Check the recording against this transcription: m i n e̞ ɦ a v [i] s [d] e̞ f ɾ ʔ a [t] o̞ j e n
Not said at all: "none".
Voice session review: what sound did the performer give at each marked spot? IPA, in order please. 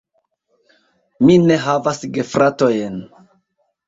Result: a, ɡ, t

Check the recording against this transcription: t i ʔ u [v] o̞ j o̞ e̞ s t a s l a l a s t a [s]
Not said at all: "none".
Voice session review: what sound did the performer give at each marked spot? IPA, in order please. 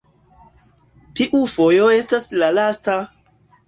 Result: f, none

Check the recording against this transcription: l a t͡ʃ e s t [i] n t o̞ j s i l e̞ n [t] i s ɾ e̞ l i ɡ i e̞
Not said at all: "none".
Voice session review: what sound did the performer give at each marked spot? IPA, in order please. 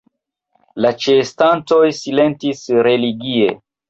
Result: a, t

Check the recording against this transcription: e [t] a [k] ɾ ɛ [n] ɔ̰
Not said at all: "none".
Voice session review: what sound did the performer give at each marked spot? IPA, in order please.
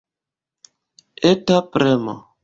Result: t, p, m

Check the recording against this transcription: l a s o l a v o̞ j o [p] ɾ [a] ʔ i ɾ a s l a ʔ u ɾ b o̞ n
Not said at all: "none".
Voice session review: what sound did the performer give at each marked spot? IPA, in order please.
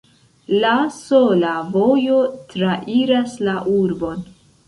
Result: t, a

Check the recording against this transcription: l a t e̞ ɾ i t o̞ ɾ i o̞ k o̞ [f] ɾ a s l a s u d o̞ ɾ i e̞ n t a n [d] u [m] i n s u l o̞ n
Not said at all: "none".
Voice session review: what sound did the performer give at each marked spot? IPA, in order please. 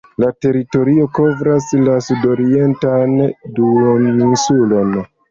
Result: v, d, n

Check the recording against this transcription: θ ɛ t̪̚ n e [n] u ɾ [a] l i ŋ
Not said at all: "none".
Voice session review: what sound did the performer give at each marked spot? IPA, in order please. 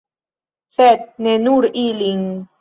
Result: n, i

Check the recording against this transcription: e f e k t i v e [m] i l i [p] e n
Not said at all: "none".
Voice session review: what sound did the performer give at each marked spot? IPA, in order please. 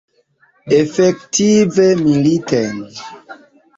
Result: m, t

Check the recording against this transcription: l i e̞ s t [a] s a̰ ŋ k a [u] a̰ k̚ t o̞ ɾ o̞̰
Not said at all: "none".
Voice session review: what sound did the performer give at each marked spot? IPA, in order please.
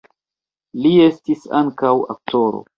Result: i, w

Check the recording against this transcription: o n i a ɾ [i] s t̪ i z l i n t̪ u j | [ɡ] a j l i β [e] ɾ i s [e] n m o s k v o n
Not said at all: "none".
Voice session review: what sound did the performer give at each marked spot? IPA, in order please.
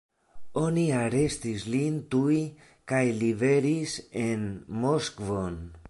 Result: e, k, e, e

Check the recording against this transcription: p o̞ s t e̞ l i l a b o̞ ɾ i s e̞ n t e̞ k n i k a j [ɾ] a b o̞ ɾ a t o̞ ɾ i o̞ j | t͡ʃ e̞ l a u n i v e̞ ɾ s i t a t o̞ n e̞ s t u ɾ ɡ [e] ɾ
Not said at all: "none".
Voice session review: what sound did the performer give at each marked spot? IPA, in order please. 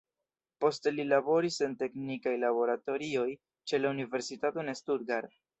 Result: l, a

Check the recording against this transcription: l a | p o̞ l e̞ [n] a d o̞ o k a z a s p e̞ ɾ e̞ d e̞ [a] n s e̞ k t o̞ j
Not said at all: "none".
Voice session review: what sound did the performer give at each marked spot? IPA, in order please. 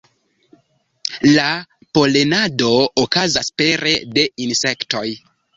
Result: n, i

